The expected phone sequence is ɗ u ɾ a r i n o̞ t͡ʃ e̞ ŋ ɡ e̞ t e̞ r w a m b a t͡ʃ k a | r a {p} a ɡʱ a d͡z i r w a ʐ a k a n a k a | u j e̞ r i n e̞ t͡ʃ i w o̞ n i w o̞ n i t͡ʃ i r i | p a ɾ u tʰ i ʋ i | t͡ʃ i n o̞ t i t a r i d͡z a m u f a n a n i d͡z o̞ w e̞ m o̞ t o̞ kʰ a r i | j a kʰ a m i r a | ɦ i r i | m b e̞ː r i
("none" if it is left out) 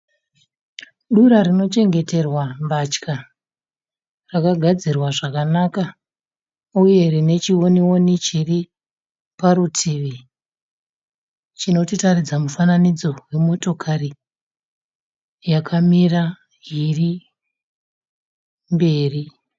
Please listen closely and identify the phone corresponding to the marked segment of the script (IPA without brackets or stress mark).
k